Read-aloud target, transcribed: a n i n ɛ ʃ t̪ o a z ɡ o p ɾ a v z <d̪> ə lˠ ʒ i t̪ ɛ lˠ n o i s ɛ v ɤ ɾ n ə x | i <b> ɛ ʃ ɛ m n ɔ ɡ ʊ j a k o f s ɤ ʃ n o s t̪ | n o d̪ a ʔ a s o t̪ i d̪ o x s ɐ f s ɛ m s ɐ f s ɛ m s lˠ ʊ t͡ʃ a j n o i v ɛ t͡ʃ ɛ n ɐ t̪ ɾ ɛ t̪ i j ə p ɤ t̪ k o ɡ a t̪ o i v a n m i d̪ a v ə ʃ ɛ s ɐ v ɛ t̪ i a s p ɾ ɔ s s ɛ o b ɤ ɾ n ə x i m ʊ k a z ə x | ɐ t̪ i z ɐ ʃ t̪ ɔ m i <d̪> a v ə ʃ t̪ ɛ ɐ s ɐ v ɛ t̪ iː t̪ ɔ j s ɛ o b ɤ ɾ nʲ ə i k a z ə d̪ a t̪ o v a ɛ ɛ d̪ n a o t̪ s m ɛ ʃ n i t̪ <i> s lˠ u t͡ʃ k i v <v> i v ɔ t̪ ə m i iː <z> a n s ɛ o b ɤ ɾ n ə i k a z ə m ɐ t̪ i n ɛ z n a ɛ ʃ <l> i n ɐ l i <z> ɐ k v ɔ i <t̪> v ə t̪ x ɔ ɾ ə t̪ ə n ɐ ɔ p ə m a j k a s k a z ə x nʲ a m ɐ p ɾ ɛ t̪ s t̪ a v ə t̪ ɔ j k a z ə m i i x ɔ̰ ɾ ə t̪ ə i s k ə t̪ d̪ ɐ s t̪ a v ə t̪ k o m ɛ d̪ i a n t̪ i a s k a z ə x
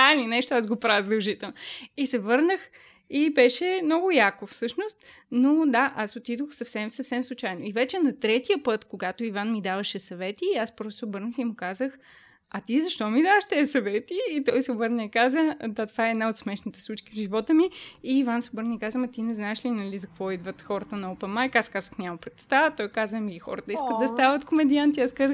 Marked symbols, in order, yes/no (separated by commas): yes, yes, yes, no, no, no, yes, yes, no